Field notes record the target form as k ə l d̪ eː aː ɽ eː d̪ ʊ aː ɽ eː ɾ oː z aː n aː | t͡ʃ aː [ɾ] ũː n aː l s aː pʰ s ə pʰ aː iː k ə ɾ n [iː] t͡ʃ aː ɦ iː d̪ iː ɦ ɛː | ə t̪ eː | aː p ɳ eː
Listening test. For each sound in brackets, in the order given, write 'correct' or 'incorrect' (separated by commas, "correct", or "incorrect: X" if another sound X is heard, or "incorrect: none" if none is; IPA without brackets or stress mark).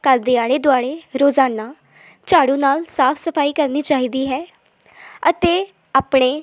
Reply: incorrect: ɽ, correct